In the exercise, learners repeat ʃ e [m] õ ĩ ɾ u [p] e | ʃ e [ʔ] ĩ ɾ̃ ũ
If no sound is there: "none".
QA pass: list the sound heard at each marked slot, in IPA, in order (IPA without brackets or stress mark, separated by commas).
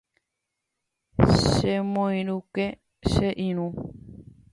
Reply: m, k, ʔ